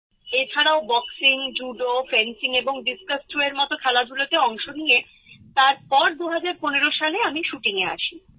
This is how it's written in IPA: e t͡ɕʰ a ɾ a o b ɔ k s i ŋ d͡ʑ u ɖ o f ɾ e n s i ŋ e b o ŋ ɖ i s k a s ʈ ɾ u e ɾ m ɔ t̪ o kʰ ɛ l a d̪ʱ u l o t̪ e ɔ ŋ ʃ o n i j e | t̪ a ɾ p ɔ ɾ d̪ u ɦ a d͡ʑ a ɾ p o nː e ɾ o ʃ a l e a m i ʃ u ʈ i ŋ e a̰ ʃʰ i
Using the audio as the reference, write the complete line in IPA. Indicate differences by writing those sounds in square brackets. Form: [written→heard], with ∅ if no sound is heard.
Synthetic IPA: e t͡ɕʰ a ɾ a o b ɔ k s i ŋ d͡ʑ u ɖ o f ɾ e n s i ŋ e b o ŋ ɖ i s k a s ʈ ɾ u e ɾ m ɔ t̪ o kʰ ɛ l a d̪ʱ u l o t̪ e ɔ ŋ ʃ o n i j e | t̪ a ɾ p ɔ ɾ d̪ u ɦ a d͡ʑ a ɾ p o [nː→n] e ɾ o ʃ a l e a m i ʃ u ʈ i ŋ e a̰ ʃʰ i